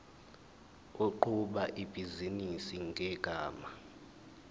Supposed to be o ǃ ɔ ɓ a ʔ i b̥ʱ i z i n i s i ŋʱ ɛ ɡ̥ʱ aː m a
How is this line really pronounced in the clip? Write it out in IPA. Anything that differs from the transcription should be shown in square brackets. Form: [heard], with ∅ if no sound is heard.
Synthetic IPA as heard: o ǃ [u] ɓ a ʔ i b̥ʱ i z i n i s i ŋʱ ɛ ɡ̥ʱ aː m a